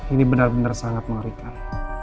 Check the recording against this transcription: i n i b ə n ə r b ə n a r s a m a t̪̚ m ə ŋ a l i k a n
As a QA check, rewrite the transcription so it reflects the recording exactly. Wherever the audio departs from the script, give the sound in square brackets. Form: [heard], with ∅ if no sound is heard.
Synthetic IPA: i n i b ə n [a] r b ə n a r s a [ŋ] a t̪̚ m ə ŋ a [ɾ] i k a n